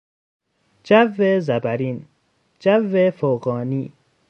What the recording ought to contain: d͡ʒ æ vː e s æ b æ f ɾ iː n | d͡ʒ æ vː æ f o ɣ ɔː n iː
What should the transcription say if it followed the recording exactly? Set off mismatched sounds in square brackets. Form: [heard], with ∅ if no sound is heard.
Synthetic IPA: d͡ʒ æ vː e [z] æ b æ [∅] ɾ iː n | d͡ʒ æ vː [e] f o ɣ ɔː n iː